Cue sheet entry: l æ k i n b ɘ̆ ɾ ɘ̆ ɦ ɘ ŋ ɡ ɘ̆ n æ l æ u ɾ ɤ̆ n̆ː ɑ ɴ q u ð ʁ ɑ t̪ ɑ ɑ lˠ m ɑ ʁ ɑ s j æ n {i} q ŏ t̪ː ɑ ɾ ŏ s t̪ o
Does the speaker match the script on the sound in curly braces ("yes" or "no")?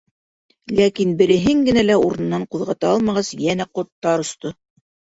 no